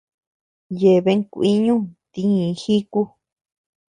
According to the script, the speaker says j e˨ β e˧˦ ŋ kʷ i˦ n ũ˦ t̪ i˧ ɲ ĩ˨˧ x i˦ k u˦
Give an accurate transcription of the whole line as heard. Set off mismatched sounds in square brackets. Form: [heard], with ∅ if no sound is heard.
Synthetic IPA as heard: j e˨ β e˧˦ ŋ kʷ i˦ [ɲ] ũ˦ t̪ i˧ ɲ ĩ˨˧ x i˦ k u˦